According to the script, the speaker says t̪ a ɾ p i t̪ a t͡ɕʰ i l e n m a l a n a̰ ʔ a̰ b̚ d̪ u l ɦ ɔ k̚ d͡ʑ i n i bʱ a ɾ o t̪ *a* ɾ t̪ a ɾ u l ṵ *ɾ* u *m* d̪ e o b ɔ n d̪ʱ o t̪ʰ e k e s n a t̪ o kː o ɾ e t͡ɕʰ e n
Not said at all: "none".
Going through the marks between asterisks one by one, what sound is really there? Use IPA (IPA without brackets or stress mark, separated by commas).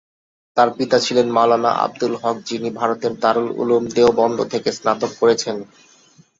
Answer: e, l, m